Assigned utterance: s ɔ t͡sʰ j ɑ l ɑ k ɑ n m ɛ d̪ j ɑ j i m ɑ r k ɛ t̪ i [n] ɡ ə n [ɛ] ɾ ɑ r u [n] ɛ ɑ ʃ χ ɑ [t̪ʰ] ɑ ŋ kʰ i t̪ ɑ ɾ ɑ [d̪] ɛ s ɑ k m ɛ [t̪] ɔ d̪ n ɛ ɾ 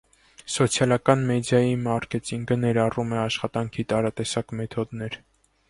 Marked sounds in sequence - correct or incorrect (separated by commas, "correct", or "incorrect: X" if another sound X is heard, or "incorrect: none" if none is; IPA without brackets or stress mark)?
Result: incorrect: ŋ, correct, incorrect: m, incorrect: t̪, incorrect: t̪, incorrect: t̪ʰ